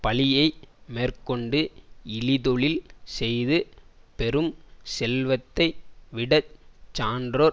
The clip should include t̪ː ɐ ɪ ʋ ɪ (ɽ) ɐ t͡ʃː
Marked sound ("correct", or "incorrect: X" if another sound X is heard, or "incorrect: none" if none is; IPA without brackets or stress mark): correct